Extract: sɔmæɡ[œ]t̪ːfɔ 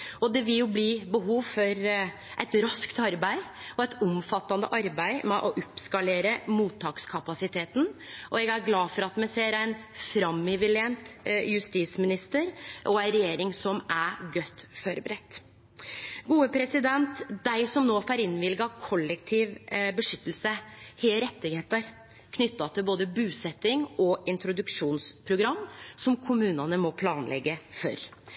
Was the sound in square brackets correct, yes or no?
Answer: yes